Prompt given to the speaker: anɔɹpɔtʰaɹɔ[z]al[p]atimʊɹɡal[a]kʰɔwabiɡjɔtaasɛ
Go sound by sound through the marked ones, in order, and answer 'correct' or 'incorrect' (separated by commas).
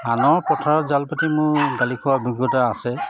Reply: correct, correct, incorrect